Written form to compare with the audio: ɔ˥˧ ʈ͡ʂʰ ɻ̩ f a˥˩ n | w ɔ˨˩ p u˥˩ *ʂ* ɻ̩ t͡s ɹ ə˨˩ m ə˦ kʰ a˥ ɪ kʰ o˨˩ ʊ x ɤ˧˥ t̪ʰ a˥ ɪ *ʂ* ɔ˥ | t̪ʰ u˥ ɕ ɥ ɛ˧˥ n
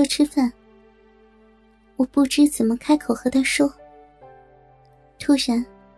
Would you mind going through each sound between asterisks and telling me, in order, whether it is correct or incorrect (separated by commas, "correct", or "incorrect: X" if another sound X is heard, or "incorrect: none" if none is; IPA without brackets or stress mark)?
incorrect: ʈ͡ʂ, correct